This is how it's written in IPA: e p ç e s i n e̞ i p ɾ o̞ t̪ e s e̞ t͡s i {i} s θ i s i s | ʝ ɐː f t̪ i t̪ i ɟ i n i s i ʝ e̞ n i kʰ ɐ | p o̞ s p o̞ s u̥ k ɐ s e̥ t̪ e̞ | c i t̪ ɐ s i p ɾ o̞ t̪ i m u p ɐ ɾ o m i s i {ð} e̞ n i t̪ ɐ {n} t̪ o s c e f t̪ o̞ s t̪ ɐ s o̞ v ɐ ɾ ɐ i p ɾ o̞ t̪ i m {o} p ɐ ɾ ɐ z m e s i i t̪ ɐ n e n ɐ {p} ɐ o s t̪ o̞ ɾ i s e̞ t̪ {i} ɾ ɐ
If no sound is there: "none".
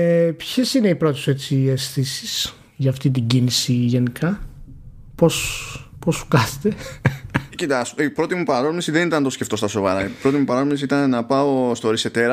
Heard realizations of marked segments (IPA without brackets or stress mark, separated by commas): e, ð, n, u, p, e